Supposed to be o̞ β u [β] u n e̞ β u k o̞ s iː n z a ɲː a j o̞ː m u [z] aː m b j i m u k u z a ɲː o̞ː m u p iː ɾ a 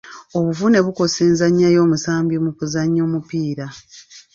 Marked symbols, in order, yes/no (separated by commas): no, no